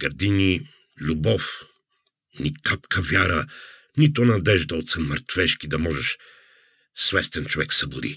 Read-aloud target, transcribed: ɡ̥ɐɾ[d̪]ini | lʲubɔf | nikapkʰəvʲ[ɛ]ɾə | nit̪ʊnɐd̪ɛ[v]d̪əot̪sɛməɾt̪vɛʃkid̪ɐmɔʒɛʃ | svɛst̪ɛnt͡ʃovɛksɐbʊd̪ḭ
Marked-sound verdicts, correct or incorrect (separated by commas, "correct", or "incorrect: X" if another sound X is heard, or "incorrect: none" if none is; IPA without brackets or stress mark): correct, incorrect: a, incorrect: ʒ